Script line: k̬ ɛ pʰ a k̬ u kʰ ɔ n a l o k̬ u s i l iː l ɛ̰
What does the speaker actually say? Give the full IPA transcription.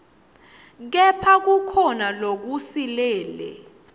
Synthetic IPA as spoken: k̬ ɛ pʰ a k̬ u kʰ ɔ n a l o k̬ u s i l ɛː l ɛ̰